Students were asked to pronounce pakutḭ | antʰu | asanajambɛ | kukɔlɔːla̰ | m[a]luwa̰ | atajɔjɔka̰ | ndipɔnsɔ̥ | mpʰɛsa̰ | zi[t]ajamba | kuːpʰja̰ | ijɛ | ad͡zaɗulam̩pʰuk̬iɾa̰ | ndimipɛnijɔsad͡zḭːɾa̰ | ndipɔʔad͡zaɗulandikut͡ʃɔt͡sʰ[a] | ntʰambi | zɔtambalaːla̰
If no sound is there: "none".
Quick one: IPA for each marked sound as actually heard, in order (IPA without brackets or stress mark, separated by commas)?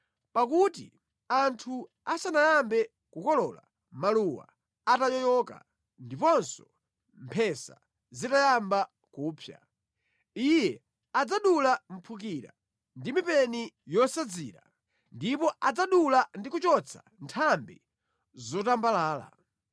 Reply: a, t, a